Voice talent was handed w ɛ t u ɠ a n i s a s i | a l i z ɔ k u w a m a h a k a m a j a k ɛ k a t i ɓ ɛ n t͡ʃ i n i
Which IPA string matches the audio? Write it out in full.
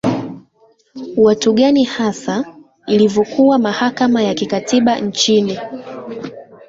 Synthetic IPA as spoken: w a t u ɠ a n i h a s a | i l i v ɔ k u w a m a h a k a m a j a k i k a t i ɓ a n t͡ʃ i n i